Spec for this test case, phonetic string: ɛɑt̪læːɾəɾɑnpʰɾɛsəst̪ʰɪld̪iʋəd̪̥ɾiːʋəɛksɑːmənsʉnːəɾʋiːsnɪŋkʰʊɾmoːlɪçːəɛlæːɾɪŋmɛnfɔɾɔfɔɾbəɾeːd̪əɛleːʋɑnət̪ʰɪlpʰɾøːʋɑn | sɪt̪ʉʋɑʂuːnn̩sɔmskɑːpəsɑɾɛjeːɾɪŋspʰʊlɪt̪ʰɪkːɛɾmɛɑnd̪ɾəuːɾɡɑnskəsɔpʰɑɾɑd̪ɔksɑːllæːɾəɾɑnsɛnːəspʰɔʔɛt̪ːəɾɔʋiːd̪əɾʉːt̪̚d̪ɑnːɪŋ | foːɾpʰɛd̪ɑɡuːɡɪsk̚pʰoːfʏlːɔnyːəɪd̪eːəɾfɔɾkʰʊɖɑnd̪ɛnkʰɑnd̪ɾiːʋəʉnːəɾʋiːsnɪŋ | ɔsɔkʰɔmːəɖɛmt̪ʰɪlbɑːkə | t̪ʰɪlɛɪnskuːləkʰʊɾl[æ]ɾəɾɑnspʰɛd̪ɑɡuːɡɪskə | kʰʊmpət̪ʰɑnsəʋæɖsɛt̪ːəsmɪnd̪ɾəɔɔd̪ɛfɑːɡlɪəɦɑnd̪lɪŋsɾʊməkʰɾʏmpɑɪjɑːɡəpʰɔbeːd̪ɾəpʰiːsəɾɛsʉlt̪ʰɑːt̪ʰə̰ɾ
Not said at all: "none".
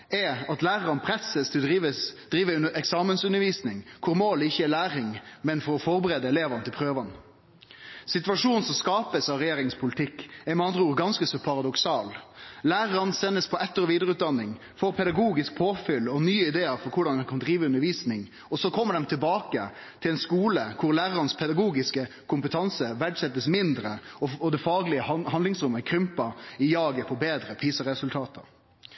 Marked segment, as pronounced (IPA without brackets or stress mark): æː